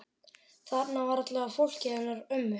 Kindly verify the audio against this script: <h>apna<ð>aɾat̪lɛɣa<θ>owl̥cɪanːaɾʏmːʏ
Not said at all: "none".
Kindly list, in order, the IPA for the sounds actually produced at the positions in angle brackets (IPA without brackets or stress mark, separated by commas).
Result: θ, v, f